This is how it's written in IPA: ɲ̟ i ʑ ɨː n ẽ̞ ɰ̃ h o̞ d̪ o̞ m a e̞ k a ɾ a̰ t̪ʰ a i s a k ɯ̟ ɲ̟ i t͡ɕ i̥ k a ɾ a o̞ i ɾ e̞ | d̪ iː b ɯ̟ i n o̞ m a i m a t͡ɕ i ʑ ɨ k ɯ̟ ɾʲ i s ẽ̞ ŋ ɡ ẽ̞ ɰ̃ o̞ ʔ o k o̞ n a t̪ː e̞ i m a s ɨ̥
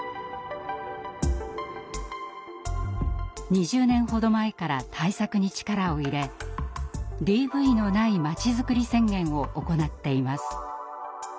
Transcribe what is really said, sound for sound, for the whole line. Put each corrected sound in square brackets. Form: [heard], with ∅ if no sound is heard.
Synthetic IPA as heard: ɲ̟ i ʑ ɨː n ẽ̞ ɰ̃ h o̞ d̪ o̞ m a e̞ k a ɾ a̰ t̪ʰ a i s a k ɯ̟ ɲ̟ i t͡ɕ i̥ k a ɾ a o̞ i ɾ e̞ | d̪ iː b ɯ̟ i n o̞ [n] a i m a t͡ɕ i [z] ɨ k ɯ̟ ɾʲ i s ẽ̞ ŋ ɡ ẽ̞ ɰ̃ o̞ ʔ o k o̞ n a t̪ː e̞ i m a s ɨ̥

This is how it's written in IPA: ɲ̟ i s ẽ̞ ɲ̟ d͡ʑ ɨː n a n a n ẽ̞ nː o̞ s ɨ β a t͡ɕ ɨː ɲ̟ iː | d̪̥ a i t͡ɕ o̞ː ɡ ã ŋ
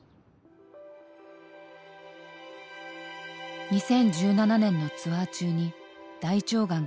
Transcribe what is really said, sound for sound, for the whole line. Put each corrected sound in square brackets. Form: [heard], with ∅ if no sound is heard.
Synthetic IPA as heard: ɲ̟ i s ẽ̞ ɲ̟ d͡ʑ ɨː n a n a n ẽ̞ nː o̞ [t͡s] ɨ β a t͡ɕ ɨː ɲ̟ [i] | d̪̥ a i t͡ɕ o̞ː ɡ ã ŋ

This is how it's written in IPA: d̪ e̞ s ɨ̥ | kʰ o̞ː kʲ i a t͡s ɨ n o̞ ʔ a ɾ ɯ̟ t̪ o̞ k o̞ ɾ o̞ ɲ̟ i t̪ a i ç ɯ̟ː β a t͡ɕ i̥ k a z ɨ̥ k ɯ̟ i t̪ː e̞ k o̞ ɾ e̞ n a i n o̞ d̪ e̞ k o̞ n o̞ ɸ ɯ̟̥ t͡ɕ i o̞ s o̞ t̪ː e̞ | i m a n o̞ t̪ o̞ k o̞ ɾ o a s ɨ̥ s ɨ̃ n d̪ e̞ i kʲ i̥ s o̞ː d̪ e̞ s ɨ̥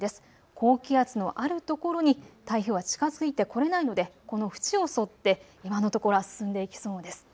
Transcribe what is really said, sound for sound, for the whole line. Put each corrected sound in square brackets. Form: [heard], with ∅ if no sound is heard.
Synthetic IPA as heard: d̪ e̞ s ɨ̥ | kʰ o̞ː kʲ i a t͡s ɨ n o̞ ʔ a ɾ ɯ̟ t̪ o̞ k o̞ ɾ o̞ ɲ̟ i t̪ a i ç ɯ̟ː β a t͡ɕ i̥ k a z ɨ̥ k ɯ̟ i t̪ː e̞ k o̞ ɾ e̞ n a i n o̞ d̪ e̞ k o̞ n o̞ ɸ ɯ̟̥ t͡ɕ i o̞ s o̞ t̪ː e̞ | i m a n o̞ t̪ o̞ k o̞ ɾ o a s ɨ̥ s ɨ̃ n d̪ e̞ i kʲ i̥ s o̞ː d̪ e̞ s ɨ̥

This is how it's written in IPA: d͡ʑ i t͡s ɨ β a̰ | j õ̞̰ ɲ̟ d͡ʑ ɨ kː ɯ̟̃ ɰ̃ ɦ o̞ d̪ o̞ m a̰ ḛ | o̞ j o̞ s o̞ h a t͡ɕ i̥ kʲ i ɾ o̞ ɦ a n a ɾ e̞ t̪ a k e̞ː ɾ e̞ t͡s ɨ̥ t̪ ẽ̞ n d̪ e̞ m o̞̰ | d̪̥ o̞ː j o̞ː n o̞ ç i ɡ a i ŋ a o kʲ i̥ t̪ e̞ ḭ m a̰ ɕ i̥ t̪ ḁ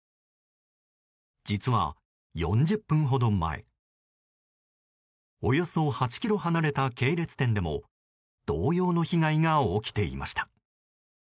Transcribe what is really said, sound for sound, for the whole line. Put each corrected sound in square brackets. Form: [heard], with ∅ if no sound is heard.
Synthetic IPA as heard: d͡ʑ i t͡s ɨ β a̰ | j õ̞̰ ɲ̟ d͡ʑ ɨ [pː] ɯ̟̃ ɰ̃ ɦ o̞ d̪ o̞ m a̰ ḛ | o̞ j o̞ s o̞ h a t͡ɕ i̥ kʲ i ɾ o̞ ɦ a n a ɾ e̞ t̪ a k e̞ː ɾ e̞ t͡s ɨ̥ t̪ ẽ̞ n d̪ e̞ m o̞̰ | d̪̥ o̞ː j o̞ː n o̞ ç i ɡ a i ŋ a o kʲ i̥ t̪ e̞ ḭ m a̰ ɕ i̥ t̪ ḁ

